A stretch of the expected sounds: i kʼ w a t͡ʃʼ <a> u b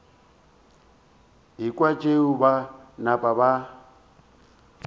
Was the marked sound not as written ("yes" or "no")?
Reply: yes